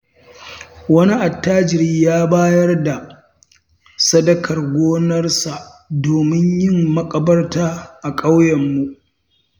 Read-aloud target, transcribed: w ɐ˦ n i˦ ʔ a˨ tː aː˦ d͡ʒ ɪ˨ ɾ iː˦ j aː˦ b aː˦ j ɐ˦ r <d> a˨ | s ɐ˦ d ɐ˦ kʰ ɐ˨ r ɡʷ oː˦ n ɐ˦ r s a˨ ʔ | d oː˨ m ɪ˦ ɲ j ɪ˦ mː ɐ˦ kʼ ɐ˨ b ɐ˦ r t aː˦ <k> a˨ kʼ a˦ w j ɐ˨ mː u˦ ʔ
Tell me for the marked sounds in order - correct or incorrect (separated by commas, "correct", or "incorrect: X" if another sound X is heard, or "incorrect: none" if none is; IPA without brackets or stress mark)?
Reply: correct, incorrect: ʔ